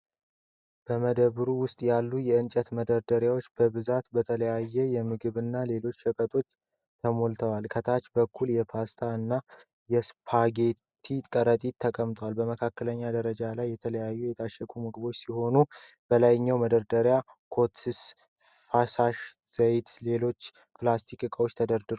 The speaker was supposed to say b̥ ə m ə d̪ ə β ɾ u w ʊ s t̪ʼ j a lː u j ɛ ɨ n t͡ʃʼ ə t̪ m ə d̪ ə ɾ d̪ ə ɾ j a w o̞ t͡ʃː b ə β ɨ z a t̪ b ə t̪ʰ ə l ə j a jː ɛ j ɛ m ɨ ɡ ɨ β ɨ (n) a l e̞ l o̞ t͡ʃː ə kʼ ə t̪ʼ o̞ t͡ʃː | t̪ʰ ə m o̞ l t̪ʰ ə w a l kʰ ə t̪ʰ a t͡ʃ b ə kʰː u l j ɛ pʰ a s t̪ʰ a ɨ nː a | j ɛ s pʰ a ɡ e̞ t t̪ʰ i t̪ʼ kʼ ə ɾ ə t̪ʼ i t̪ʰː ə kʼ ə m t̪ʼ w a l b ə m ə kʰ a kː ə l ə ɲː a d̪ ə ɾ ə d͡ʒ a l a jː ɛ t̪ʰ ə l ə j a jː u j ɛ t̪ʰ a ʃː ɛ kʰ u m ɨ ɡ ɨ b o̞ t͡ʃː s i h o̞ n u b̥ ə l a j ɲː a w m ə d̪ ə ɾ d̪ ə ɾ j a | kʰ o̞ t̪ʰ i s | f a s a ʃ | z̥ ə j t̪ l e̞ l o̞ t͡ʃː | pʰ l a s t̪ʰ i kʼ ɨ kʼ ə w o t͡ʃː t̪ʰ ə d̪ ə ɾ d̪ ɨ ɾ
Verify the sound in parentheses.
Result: incorrect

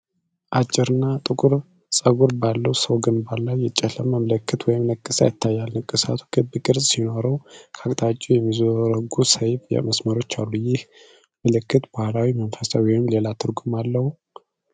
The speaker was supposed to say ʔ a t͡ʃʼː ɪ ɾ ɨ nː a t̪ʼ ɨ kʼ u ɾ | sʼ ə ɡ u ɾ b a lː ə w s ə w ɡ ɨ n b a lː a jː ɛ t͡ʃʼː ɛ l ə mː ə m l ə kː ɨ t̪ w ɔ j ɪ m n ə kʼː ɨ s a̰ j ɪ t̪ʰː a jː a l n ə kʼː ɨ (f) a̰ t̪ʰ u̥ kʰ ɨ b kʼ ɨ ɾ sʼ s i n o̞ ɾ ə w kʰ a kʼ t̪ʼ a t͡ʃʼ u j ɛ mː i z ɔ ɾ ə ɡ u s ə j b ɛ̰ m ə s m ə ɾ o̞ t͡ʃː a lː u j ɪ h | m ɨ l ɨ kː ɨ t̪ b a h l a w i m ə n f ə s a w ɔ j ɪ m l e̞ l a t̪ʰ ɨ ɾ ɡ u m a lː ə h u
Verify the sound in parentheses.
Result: incorrect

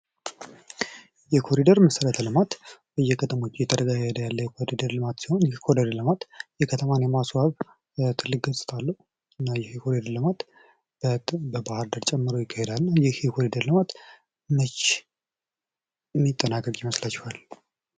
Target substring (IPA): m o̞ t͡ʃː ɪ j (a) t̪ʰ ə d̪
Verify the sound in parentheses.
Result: incorrect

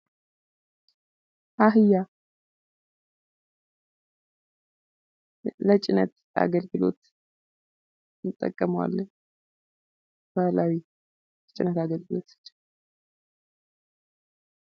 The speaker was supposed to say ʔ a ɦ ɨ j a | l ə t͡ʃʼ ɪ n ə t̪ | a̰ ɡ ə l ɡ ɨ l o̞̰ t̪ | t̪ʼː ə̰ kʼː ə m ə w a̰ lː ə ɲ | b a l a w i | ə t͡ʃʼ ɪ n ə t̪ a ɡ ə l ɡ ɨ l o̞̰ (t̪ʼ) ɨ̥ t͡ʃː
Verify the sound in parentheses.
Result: incorrect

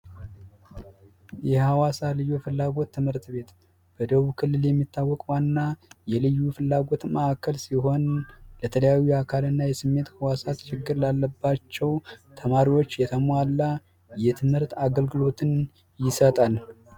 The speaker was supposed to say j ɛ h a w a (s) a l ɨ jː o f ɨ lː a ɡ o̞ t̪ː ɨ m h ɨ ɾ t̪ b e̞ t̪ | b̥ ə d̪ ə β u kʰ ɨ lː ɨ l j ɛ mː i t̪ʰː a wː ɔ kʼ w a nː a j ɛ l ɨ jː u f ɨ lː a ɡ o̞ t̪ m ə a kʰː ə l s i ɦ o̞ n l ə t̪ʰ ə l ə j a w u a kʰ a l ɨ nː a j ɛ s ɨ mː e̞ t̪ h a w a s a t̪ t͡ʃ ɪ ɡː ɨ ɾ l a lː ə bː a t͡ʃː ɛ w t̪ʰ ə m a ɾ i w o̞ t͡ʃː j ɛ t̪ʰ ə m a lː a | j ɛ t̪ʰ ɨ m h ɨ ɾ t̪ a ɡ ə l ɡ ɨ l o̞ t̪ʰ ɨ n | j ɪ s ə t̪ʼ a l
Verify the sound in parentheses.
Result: correct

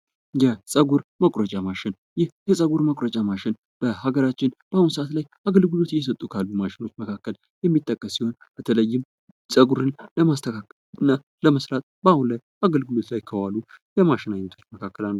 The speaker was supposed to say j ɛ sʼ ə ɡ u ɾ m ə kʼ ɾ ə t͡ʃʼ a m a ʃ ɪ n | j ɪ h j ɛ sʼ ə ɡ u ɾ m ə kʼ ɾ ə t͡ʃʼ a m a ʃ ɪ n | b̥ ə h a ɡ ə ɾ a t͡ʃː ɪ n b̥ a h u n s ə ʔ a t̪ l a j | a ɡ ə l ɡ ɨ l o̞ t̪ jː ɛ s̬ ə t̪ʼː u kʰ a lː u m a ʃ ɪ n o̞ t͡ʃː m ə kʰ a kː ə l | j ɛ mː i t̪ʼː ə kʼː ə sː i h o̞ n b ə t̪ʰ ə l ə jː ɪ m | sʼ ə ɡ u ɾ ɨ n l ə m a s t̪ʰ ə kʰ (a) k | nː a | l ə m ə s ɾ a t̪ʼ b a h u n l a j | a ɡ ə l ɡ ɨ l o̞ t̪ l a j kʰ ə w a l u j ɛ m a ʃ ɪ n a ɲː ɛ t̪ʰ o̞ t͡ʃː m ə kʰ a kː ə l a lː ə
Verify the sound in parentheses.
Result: correct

